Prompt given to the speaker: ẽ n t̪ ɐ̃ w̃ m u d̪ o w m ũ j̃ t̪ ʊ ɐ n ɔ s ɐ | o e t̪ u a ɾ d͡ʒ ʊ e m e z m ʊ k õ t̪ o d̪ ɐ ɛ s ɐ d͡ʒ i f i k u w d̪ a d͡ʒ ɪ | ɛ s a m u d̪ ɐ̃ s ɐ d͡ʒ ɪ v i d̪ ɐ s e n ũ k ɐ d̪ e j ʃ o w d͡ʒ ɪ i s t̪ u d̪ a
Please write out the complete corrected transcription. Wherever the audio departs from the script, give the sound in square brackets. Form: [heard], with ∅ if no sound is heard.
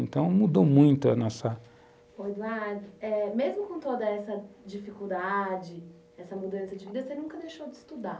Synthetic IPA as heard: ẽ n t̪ ɐ̃ w̃ m u d̪ o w m ũ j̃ t̪ ʊ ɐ n ɔ s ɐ | o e [d̪] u a ɾ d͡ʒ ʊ [ɛ] m e z m ʊ k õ t̪ o d̪ ɐ ɛ s ɐ d͡ʒ i f i k u w d̪ a d͡ʒ ɪ | ɛ s [ɐ] m u d̪ ɐ̃ s ɐ d͡ʒ ɪ v i d̪ ɐ s e n ũ k ɐ d̪ e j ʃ o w d͡ʒ ɪ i s t̪ u d̪ a